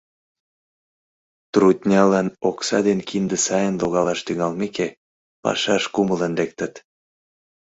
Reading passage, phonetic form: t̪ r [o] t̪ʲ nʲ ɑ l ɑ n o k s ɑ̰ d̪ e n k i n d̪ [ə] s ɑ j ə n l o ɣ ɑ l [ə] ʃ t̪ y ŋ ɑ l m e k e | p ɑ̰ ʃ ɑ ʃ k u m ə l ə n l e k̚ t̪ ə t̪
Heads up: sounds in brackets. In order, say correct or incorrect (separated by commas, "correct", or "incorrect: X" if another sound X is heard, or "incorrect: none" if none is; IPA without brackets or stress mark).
incorrect: u, correct, incorrect: ɑ